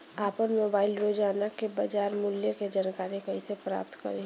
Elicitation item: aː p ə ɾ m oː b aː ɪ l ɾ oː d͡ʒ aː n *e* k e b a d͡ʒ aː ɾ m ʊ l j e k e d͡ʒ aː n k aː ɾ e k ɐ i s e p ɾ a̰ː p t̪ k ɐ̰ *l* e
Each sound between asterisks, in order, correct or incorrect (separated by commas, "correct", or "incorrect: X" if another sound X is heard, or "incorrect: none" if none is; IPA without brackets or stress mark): incorrect: a, incorrect: ɾ